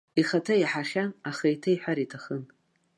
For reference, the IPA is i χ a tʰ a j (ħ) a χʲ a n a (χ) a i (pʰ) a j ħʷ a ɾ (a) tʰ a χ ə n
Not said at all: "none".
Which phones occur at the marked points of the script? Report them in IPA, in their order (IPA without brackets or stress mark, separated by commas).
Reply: ħ, χ, tʰ, i